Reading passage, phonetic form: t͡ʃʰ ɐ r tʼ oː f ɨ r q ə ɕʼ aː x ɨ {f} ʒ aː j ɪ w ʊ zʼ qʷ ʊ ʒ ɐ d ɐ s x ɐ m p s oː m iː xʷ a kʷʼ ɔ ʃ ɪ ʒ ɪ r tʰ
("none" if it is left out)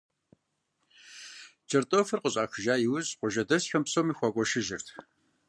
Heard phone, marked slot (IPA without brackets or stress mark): none